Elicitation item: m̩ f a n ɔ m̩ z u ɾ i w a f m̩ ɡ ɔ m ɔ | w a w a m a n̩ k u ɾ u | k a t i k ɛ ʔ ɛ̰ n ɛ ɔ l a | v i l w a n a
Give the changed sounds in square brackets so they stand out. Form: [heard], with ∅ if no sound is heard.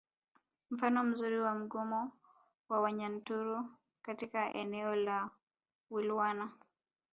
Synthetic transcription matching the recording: m̩ f a n ɔ m̩ z u ɾ i w a [∅] m̩ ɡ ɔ m ɔ | w a w a [ɲ] a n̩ [t] u ɾ u | k a t i k [a] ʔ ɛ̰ n ɛ ɔ l a | [w] i l w a n a